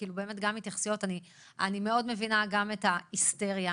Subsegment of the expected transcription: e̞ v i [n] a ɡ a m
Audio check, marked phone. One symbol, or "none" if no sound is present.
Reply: n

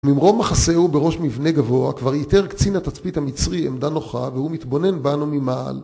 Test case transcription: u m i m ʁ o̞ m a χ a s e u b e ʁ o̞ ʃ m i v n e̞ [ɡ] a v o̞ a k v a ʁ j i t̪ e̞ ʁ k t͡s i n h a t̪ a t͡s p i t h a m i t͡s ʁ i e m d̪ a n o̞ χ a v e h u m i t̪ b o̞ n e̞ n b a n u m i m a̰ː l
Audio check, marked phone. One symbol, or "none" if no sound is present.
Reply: ɡ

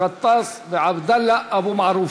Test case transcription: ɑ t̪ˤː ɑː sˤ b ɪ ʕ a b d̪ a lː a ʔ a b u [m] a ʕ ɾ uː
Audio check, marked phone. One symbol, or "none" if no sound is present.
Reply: m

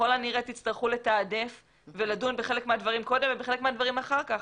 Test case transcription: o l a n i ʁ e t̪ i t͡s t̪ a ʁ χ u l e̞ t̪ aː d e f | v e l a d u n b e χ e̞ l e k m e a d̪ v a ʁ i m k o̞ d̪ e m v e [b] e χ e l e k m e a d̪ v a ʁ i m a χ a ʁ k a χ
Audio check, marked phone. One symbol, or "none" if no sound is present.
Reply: b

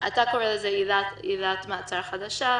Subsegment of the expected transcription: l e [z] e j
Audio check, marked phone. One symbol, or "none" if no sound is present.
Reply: z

